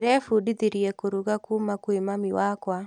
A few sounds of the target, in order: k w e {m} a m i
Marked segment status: correct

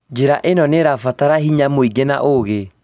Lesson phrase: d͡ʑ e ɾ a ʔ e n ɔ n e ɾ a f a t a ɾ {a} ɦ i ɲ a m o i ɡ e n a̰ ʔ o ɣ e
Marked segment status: correct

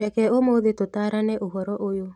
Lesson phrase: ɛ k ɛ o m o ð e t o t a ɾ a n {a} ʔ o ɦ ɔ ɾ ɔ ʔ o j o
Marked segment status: incorrect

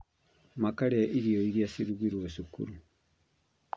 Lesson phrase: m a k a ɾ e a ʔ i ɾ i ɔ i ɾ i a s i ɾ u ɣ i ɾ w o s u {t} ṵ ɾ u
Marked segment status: incorrect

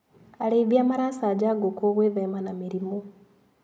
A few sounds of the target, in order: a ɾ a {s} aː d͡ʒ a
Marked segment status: correct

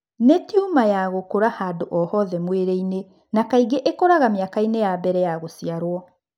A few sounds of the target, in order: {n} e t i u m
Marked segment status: correct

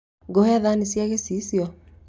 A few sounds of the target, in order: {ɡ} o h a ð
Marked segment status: correct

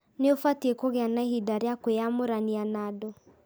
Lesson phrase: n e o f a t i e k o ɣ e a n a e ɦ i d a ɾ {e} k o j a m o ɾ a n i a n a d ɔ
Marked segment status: incorrect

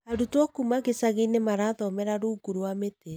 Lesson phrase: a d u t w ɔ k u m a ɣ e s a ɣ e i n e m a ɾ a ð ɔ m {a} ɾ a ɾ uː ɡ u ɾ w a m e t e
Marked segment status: incorrect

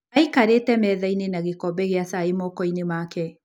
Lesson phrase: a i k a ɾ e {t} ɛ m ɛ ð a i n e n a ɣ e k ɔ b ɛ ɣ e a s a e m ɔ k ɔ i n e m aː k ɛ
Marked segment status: correct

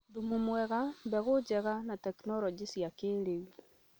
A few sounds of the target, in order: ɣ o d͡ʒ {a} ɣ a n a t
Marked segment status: incorrect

